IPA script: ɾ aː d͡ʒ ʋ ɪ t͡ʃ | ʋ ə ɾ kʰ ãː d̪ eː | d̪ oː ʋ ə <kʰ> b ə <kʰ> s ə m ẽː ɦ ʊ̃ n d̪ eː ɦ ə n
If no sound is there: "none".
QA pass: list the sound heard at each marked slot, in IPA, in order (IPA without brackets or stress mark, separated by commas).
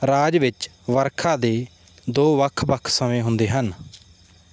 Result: kʰ, kʰ